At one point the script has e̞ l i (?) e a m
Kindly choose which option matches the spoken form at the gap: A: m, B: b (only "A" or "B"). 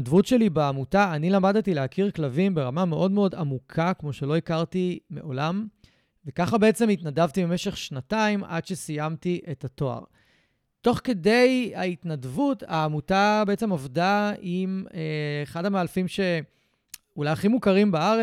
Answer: B